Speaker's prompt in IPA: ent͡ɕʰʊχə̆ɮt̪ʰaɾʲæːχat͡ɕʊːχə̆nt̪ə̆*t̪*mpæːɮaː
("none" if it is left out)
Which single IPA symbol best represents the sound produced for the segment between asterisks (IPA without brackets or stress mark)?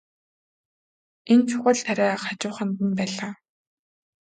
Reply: none